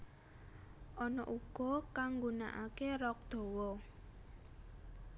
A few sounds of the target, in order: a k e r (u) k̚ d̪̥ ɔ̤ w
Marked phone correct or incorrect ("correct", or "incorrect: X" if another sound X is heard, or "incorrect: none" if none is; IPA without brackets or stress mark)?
incorrect: ɔ